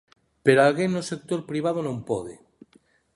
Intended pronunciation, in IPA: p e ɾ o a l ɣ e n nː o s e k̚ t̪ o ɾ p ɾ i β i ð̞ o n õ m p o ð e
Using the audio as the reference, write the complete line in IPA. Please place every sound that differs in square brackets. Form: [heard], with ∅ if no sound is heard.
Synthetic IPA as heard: p e ɾ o a l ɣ e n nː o s e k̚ t̪ o ɾ p ɾ i β [a] ð̞ o n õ m p o ð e